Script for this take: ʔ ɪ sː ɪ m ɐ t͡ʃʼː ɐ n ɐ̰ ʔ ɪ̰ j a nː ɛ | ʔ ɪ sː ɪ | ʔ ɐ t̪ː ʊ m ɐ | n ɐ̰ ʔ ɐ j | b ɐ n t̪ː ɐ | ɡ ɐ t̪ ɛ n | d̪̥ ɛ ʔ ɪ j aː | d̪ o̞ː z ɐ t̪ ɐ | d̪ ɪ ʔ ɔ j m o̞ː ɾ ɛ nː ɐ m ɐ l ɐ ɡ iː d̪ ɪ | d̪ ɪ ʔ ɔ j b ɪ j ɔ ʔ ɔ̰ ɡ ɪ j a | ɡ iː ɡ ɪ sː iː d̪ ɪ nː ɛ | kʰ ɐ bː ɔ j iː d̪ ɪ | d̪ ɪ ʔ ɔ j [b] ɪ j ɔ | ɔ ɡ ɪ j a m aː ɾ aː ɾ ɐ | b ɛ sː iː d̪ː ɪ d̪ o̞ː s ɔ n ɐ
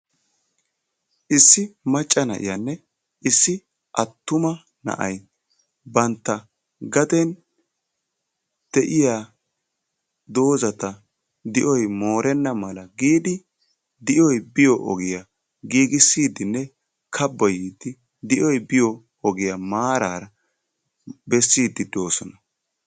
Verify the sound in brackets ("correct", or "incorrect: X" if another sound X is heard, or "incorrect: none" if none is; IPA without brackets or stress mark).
correct